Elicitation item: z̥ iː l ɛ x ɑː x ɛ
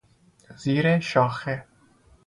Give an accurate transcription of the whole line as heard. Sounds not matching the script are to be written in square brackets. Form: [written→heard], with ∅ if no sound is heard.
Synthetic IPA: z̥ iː [l→ɾ] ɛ [x→ʃ] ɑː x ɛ

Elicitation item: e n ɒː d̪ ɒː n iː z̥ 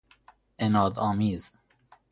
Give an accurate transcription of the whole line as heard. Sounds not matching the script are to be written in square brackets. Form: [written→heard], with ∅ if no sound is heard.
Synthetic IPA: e n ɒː d̪ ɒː [n→m] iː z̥

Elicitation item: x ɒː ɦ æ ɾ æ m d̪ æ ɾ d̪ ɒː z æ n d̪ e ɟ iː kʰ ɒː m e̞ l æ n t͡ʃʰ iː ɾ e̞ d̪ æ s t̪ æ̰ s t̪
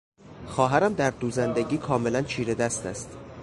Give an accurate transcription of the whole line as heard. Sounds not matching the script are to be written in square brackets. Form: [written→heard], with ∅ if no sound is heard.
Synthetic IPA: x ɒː ɦ æ ɾ æ m d̪ æ ɾ d̪ [ɒː→uː] z æ n d̪ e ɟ iː kʰ ɒː m e̞ l æ n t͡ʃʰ iː ɾ e̞ d̪ æ s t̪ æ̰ s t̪

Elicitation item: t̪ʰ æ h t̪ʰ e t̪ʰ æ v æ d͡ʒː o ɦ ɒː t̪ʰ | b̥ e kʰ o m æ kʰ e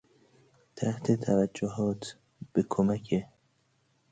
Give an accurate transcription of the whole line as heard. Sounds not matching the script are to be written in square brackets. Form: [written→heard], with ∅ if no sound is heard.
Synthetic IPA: t̪ʰ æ h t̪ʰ e t̪ʰ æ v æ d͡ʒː o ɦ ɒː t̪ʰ | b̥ e kʰ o m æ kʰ e

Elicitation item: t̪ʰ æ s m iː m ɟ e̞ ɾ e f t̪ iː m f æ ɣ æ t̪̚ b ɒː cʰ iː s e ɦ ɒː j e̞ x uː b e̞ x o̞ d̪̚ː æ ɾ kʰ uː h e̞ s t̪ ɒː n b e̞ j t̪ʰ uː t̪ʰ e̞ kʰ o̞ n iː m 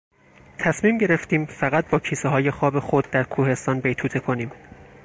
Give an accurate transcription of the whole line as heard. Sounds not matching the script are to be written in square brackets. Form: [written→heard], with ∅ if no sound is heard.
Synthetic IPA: t̪ʰ æ s m iː m ɟ e̞ ɾ e f t̪ iː m f æ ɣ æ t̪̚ b ɒː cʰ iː s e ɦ ɒː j e̞ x [uː→ɒː] b e̞ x o̞ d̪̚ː æ ɾ kʰ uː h e̞ s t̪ ɒː n b e̞ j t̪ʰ uː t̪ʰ e̞ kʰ o̞ n iː m

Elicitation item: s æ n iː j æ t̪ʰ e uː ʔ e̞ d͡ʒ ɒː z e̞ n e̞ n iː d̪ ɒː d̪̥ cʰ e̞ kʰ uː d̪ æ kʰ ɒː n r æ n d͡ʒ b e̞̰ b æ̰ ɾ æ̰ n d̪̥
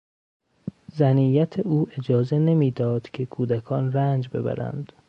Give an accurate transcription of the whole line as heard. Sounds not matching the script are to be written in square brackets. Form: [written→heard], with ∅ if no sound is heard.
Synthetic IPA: [s→z] æ n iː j æ t̪ʰ e uː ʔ e̞ d͡ʒ ɒː z e̞ n e̞ [n→m] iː d̪ ɒː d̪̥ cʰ e̞ kʰ uː d̪ æ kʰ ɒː n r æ n d͡ʒ b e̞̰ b æ̰ ɾ æ̰ n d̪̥

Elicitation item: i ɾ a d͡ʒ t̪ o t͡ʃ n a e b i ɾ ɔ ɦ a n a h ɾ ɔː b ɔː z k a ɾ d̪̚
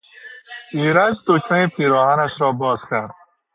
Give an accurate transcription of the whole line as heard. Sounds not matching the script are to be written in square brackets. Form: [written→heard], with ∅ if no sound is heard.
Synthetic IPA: i ɾ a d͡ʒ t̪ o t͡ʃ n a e [b→p] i ɾ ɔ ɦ a n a [h→ʃ] ɾ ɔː b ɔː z k a ɾ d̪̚

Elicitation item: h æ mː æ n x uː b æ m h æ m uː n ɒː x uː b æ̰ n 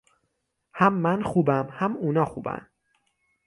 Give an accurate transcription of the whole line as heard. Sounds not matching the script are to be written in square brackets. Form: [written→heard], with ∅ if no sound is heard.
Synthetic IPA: h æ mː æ n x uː b æ m h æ m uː n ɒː x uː b æ̰ n

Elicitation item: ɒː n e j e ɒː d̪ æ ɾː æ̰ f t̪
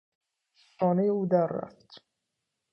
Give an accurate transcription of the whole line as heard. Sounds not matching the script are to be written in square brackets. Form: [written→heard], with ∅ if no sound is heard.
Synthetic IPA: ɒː n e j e [ɒː→uː] d̪ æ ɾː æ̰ f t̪

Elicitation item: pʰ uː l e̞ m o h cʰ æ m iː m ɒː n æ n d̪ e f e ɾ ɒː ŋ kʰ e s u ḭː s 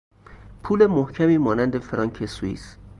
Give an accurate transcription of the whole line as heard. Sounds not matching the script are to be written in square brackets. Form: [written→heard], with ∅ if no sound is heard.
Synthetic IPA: pʰ uː l e̞ m o h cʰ æ m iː m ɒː n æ n d̪ e f e ɾ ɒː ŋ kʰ e s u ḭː s

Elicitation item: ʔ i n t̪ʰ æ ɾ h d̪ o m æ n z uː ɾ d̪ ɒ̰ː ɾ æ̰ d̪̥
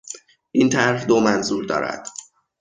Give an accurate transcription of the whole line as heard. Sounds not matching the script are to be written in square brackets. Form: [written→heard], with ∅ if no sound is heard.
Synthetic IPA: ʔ i n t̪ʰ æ ɾ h d̪ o m æ n z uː ɾ d̪ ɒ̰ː ɾ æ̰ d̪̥

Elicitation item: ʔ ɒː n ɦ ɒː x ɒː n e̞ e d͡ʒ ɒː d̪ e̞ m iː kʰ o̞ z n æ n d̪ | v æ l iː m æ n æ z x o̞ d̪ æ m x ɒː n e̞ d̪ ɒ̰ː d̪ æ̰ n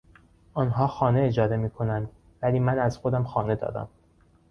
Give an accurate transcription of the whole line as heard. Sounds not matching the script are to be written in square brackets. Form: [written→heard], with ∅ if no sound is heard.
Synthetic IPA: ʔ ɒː n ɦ ɒː x ɒː n e̞ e d͡ʒ ɒː d̪ e̞ m iː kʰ o̞ [z→∅] n æ n d̪ | v æ l iː m æ n æ z x o̞ d̪ æ m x ɒː n e̞ d̪ ɒ̰ː d̪ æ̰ [n→m]

